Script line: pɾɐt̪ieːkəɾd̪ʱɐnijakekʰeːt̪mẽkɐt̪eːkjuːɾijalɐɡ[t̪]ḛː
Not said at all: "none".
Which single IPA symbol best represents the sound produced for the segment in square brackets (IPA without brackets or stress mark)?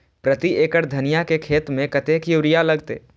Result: t̪